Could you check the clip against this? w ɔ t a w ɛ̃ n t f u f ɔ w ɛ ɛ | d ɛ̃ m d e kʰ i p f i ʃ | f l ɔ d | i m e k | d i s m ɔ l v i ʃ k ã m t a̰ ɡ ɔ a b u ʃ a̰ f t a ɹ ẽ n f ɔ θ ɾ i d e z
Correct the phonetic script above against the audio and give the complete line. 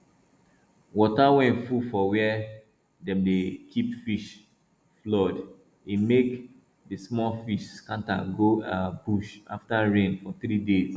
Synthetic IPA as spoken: w ɔ t a w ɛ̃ n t f u f ɔ w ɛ ɛ | d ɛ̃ m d e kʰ i p f i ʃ | f l ɔ d | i m e k | d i s m ɔ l f i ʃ k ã n t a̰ ɡ o a b u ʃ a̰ f t a ɹ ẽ n f ɔ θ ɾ i d e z